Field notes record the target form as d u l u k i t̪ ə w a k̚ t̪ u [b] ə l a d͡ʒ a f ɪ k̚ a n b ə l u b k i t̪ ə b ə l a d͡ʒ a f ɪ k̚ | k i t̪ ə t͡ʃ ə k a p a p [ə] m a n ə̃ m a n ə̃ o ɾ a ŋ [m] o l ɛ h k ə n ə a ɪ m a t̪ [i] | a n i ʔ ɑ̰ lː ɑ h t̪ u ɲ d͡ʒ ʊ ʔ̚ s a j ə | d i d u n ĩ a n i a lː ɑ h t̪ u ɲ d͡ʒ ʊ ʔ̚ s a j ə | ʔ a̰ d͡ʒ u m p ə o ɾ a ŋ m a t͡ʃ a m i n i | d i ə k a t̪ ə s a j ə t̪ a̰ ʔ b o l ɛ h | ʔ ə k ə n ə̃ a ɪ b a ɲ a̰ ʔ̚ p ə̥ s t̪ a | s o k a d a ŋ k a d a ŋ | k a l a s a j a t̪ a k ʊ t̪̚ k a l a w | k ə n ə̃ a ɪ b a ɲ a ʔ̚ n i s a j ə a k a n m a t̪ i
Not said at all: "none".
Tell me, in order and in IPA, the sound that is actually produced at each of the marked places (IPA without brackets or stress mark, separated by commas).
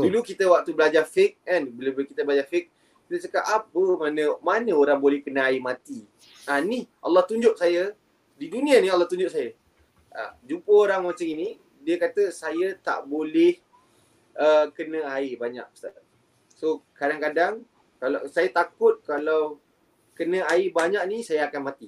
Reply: b, ə, b, i